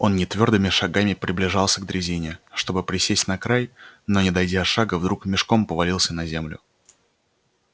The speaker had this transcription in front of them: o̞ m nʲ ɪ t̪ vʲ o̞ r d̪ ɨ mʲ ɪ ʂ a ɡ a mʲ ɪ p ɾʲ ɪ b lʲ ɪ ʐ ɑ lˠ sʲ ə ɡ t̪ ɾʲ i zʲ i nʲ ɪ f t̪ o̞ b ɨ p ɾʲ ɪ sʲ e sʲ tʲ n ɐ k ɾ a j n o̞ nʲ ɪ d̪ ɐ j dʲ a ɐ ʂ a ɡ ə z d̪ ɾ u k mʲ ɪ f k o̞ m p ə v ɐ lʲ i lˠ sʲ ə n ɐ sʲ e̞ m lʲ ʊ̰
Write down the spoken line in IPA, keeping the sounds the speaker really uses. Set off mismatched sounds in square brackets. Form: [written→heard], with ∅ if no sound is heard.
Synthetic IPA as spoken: o̞ [m→n] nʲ ɪ t̪ vʲ o̞ r d̪ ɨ mʲ ɪ ʂ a ɡ a mʲ ɪ p ɾʲ ɪ b lʲ ɪ ʐ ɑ lˠ sʲ ə ɡ [t̪→d̪] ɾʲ [i→ɪ] zʲ i nʲ ɪ [f→ʂ] t̪ o̞ b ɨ p ɾʲ ɪ sʲ e sʲ tʲ n ɐ k ɾ a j n o̞ nʲ ɪ d̪ ɐ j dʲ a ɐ ʂ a ɡ ə [z→v] d̪ ɾ u k mʲ ɪ [f→ʂ] k o̞ m p ə v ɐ lʲ i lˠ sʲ ə n ɐ [sʲ→zʲ] e̞ m lʲ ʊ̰